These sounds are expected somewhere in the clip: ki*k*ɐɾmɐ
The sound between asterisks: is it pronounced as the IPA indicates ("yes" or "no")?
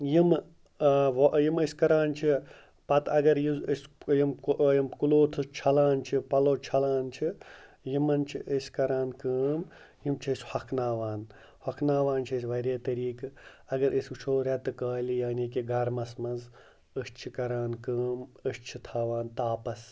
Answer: no